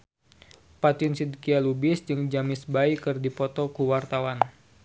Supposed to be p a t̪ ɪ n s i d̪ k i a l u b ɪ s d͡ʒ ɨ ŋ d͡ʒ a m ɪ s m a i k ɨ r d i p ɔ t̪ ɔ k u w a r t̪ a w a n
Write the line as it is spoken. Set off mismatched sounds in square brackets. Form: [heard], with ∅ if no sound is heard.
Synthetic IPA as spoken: p a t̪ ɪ n s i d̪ k i a l u b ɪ s d͡ʒ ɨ ŋ d͡ʒ a m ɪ s [b] a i k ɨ r d i p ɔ t̪ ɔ k u w a r t̪ a w a n

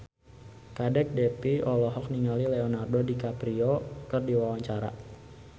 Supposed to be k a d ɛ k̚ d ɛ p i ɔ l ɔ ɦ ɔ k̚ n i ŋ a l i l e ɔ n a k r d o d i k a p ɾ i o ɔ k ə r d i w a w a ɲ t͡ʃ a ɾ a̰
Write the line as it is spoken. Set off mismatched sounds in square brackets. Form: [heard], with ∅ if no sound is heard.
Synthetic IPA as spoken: k a d ɛ k̚ d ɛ p i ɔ l ɔ ɦ ɔ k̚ n i ŋ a l i l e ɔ n a [∅] r d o d i k a p ɾ i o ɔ k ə r d i w a w a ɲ t͡ʃ a ɾ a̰

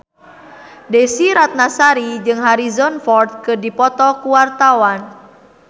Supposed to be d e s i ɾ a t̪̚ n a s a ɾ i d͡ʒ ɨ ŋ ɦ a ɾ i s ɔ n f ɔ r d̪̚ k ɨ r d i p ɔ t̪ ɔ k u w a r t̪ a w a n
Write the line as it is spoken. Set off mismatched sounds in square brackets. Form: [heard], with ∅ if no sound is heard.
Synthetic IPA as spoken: d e s i ɾ a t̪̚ n a s a ɾ i d͡ʒ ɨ ŋ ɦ a ɾ i [z] ɔ n f ɔ r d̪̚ k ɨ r d i p ɔ t̪ ɔ k u w a r t̪ a w a n

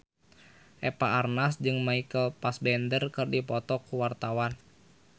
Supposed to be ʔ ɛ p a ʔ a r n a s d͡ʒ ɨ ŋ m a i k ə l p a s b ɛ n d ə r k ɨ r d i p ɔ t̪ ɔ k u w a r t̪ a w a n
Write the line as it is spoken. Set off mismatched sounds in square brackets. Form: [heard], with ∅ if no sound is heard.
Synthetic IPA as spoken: ʔ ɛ p a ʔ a r n a s d͡ʒ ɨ ŋ m a i k ə l p a s b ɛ n d ə r k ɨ r d i p ɔ t̪ ɔ k u w a r t̪ a w a n

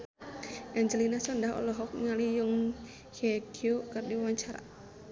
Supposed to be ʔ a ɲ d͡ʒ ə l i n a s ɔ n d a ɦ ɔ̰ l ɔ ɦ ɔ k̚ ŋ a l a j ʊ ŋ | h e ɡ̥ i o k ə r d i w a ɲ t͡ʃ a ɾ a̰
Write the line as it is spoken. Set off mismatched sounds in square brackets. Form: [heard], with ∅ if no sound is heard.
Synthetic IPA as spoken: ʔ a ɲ d͡ʒ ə l i n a s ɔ n d a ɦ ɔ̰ l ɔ ɦ ɔ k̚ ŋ a l [i] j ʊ ŋ | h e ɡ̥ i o k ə r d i w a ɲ t͡ʃ a ɾ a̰

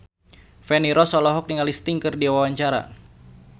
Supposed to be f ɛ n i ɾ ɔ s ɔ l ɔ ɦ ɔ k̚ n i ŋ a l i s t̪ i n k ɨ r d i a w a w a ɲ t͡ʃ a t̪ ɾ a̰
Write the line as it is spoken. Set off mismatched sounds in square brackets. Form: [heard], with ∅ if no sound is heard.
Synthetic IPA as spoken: f ɛ n i ɾ ɔ s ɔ l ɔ ɦ ɔ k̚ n i ŋ a l i s t̪ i [ŋ] k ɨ r d i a w a w a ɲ t͡ʃ a [∅] ɾ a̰

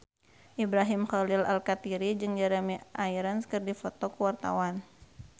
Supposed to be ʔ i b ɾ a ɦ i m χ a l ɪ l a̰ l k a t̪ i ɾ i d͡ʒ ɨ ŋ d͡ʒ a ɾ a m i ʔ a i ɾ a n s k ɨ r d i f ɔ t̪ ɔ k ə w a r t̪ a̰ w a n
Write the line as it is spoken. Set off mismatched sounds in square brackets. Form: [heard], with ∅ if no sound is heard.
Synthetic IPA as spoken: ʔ i b ɾ a ɦ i m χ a l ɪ l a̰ l k a t̪ i ɾ i d͡ʒ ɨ ŋ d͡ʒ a ɾ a m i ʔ a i ɾ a n s k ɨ r d i f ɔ t̪ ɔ k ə w a r t̪ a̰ w a n

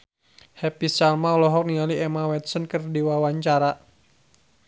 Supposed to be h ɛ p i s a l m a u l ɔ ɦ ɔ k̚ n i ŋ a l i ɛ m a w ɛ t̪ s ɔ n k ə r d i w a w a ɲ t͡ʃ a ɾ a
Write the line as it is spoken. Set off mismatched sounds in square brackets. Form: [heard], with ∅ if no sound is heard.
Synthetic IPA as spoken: h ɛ p i s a l m a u l ɔ ɦ ɔ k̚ n i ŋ a l i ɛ m a w ɛ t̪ s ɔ n k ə r d i w a w a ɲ t͡ʃ a ɾ a

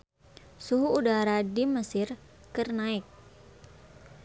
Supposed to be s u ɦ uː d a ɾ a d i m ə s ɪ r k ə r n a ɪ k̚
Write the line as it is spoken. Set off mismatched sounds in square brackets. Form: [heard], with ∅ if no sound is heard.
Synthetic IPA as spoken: s u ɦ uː d a ɾ a d i m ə s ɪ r k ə r n a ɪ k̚

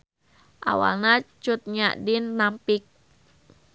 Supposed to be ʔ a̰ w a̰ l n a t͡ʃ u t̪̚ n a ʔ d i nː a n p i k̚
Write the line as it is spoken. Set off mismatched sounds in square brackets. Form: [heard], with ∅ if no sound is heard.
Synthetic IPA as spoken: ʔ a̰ w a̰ l n a t͡ʃ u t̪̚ [ɲ] a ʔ d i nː a [m] p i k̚

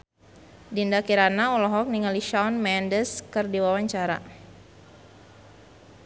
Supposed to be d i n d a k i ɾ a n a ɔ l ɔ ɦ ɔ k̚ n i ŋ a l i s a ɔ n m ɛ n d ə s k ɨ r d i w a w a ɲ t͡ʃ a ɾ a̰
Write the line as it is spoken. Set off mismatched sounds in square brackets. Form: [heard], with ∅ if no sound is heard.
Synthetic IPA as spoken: d i n d a k i ɾ a n a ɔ l ɔ ɦ ɔ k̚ n i ŋ a l i [ʃ] a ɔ n m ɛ n d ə s k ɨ r d i w a w a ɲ t͡ʃ a ɾ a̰

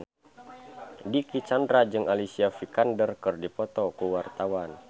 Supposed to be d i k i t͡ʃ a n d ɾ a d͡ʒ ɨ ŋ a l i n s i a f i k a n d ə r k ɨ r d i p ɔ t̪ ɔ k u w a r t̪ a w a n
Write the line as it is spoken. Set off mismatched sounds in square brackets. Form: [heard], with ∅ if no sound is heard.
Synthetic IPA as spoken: d i k i t͡ʃ a n d ɾ a d͡ʒ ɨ ŋ a l i [∅] s i a f i k a n d ə r k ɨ r d i p ɔ t̪ ɔ k u w a r t̪ a w a n

